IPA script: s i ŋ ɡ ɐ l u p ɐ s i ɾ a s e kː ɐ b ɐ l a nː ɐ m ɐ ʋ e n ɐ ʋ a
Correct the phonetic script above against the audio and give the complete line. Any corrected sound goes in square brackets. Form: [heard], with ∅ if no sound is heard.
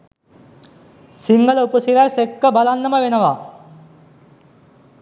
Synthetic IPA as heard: s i ŋ ɡ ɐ l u p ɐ s i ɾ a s e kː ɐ b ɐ l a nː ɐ m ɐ ʋ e n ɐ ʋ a

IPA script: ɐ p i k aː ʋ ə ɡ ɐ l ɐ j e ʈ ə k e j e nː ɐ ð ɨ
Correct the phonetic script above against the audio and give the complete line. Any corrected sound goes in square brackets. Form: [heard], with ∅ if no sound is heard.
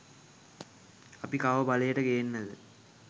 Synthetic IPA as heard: ɐ p i k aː ʋ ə [b] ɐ l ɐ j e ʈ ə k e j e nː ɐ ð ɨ

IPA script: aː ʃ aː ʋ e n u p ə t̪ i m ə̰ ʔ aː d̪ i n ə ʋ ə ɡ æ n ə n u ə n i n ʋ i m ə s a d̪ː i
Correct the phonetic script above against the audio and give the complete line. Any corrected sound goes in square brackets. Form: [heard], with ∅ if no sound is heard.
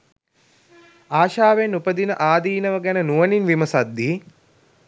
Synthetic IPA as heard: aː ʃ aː ʋ e n u p ə [d̪] i [n] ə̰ ʔ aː d̪ [iː] n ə ʋ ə ɡ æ n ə n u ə n i n ʋ i m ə s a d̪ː i

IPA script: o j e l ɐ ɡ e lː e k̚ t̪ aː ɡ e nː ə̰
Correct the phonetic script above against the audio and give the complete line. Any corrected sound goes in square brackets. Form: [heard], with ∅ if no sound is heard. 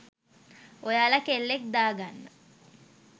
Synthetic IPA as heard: o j [a] l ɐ [k] e lː e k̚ [d̪] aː ɡ [a] nː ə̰

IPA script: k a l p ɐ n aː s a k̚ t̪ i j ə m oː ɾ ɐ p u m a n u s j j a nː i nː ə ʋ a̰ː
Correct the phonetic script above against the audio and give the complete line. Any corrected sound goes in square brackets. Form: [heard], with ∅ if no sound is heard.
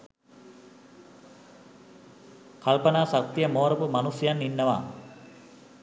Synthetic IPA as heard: k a l p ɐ n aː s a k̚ t̪ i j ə m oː ɾ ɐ p u m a n u s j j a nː i nː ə ʋ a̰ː

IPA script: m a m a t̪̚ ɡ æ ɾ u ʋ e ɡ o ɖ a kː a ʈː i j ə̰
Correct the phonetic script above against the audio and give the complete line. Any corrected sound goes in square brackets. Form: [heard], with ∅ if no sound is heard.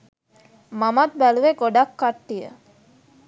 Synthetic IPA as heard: m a m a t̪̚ [b] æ [l] u ʋ e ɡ o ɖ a kː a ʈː i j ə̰

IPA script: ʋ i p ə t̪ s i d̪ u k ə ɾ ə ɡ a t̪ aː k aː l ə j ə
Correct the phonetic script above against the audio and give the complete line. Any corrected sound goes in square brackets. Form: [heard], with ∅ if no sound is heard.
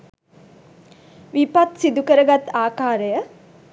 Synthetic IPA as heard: ʋ i p [a] t̪ s i d̪ u k ə ɾ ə ɡ a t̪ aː k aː [ɾ] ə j ə

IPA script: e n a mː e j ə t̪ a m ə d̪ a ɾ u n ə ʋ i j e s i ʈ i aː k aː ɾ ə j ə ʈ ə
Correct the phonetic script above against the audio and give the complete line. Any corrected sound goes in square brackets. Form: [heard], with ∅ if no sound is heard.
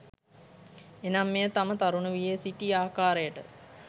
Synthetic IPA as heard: e n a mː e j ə t̪ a m ə [t̪] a ɾ u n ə ʋ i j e s i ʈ i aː k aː ɾ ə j ə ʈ ə

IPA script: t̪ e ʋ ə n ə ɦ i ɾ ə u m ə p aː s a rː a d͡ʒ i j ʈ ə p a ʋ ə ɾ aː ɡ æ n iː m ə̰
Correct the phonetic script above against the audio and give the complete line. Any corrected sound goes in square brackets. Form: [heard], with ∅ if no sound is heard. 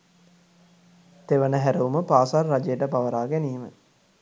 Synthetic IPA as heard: t̪ e ʋ ə n ə ɦ [æ] ɾ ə u m ə p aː s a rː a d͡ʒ [e] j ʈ ə p a ʋ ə ɾ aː ɡ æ n iː m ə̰

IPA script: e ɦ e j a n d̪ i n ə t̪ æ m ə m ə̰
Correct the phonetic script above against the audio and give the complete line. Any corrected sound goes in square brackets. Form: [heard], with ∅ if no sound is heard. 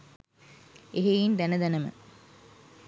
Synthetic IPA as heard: e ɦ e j [i] n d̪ [æ] n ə [d̪] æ [n] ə m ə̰

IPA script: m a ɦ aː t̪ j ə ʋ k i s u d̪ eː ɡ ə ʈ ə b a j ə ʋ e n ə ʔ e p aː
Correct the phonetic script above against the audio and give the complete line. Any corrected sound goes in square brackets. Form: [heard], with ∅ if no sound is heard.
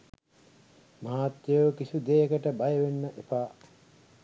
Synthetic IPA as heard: m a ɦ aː t̪ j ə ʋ k i s u d̪ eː [k] ə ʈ ə b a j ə ʋ e [nː] ə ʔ e p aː

